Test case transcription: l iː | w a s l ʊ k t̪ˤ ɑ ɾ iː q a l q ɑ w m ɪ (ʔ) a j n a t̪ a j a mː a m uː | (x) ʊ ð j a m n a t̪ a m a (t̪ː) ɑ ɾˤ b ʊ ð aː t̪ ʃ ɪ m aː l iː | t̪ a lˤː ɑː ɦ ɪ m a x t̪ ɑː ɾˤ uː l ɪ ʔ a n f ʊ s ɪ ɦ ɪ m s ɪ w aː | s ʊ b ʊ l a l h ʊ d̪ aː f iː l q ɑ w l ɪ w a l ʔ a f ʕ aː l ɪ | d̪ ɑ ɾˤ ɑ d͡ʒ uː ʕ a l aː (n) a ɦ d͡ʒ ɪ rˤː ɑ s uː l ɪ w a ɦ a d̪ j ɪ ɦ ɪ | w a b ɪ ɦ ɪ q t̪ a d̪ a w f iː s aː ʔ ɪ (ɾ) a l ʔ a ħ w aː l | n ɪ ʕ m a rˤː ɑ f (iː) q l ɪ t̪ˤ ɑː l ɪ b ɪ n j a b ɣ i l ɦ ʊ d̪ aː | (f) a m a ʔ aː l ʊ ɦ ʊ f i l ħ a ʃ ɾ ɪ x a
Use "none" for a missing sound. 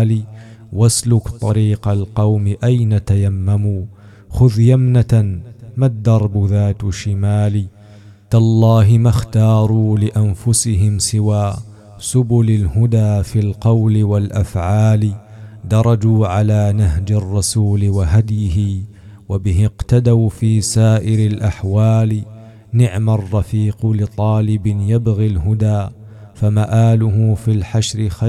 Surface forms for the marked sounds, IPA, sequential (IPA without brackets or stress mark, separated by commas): ʔ, x, d̪ː, n, ɾ, iː, f